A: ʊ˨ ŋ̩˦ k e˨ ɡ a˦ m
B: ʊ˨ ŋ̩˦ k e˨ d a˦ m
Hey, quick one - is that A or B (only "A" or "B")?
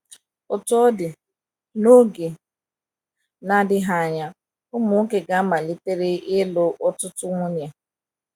A